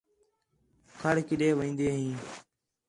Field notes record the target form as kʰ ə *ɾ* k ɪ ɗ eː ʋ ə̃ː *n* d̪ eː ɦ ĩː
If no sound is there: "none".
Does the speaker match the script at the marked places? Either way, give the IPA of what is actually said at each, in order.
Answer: ɽ, n

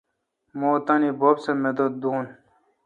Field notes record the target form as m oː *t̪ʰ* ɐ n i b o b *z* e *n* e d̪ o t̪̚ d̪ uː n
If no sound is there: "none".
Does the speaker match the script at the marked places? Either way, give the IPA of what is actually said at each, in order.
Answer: t̪, s, m

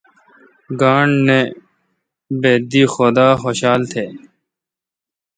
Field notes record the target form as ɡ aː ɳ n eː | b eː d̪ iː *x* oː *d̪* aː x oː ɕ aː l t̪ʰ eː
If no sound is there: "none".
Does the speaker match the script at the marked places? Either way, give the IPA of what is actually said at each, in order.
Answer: x, d̪

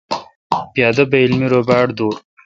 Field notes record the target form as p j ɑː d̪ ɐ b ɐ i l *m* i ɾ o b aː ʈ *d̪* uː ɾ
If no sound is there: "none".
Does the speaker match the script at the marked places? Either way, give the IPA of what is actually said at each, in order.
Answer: m, d̪

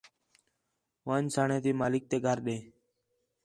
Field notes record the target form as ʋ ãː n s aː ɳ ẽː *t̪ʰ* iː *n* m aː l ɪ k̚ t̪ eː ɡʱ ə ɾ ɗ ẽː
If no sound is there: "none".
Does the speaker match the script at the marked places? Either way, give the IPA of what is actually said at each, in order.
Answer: t̪, none

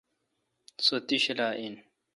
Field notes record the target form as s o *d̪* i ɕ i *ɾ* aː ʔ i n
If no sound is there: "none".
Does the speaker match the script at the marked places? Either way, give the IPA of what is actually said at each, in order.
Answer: t̪, l

